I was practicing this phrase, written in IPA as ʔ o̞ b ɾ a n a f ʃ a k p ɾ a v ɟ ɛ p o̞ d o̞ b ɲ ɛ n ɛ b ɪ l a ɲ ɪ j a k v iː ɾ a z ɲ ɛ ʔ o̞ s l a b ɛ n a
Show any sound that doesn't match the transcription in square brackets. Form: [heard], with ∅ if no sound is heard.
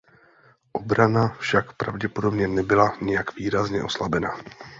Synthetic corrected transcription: ʔ o̞ b ɾ a n a f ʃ a k p ɾ a v ɟ ɛ p o̞ d o̞ b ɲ ɛ n ɛ b ɪ l a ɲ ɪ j a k v iː ɾ a z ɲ ɛ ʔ o̞ s l a b ɛ n a